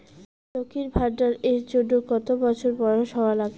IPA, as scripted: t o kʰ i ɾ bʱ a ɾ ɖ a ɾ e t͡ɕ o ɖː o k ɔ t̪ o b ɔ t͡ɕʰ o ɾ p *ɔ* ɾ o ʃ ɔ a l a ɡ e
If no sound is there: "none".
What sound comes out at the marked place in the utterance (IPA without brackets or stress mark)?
ɔ